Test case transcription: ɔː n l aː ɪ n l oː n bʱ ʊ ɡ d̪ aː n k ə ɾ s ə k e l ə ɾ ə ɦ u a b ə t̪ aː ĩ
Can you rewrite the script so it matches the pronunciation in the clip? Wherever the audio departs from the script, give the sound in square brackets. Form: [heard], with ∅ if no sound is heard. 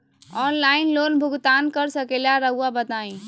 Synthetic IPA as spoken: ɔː n l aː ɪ n l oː n bʱ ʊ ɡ [t̪] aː n k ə ɾ s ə k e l [a] ɾ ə ɦ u a b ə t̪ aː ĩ